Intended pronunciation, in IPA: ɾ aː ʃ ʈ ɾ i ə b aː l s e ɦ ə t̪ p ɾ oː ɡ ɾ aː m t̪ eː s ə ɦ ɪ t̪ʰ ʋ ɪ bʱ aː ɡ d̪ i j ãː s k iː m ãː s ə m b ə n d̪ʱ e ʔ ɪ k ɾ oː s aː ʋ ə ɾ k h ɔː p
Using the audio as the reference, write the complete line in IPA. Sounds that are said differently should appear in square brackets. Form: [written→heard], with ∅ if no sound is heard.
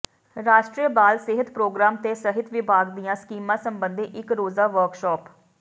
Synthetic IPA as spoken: ɾ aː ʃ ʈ ɾ i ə b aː l s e ɦ ə t̪ p ɾ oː ɡ ɾ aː m t̪ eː s ə ɦ ɪ [t̪ʰ→t̪] ʋ ɪ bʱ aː ɡ d̪ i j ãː s k iː m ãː s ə m b ə n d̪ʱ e ʔ ɪ k ɾ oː [s→z] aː ʋ ə ɾ k [h→ʃ] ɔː p